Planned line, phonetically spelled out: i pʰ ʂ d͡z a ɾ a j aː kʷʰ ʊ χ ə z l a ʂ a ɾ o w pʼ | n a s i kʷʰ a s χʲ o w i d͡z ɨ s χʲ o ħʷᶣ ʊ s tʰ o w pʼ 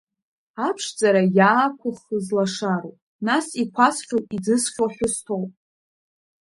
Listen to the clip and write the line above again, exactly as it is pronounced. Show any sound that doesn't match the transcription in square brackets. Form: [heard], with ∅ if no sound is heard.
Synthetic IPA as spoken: [a] pʰ ʂ d͡z a ɾ a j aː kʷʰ ʊ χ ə z l a ʂ a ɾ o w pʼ | n a s i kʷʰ a s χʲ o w i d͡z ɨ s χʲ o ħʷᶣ ʊ s tʰ o w pʼ